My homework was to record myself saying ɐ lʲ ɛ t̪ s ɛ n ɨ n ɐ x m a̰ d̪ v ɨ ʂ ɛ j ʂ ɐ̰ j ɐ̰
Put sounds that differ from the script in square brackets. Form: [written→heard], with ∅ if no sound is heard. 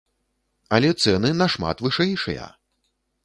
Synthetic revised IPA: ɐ lʲ ɛ t̪ s ɛ n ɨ n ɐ [x→ʂ] m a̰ [d̪→t̪] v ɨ ʂ ɛ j ʂ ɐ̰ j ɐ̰